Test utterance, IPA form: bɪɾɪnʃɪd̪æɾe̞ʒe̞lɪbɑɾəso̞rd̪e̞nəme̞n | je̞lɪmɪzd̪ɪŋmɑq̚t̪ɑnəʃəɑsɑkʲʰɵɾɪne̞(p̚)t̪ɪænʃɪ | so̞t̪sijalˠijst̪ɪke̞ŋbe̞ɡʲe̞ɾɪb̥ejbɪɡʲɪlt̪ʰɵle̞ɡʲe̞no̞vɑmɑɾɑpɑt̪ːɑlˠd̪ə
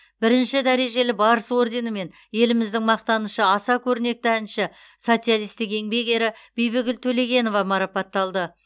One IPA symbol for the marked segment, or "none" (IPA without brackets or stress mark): k̚